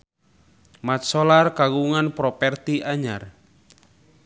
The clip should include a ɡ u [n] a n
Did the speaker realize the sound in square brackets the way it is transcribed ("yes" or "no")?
no